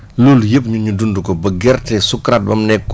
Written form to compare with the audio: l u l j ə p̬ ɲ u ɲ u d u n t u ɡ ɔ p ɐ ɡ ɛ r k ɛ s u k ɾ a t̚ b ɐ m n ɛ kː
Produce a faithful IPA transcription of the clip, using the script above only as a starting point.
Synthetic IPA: l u l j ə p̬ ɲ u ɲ u d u n d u k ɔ b ɐ ɡ ɛ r t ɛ s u k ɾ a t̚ b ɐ m n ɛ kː

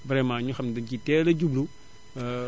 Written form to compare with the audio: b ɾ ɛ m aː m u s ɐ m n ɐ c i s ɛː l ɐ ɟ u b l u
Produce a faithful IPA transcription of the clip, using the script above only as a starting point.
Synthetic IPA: b ɾ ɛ m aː ɲ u x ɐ m d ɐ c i t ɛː l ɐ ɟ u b l u

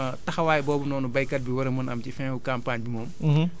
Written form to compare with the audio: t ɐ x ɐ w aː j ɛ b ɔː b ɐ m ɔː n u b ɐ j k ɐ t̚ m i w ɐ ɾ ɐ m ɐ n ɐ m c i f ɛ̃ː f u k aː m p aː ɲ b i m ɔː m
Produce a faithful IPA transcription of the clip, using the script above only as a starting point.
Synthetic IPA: t ɐ x ɐ w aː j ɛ b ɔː b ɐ n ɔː n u b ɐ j k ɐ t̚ b i w ɐ ɾ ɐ m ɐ n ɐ m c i f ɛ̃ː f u k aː m p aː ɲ b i m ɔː m

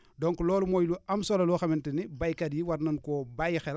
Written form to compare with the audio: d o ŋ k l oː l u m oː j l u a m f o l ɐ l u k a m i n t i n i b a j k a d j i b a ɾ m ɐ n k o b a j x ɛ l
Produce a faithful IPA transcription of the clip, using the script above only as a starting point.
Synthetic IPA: d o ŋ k l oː l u m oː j l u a m s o l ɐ l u x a m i n t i n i b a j k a d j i w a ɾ n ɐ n k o b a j x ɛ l

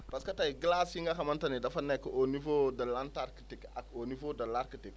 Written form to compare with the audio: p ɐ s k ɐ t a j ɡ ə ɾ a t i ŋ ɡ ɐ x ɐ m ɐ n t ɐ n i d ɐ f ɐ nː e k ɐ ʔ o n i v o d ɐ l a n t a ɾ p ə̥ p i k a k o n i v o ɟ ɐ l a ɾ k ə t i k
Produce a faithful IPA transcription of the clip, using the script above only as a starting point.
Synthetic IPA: p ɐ s k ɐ t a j ɡ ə l a s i ŋ ɡ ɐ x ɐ m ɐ n t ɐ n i d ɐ f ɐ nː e k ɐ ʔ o n i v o d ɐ l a n t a ɾ k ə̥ t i k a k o n i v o d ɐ l a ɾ k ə t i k

